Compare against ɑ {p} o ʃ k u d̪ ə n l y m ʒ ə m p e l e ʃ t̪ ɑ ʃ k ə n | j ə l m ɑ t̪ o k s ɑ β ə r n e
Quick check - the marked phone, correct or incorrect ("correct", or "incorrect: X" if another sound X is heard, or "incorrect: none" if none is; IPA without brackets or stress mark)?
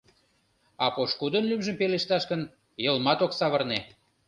correct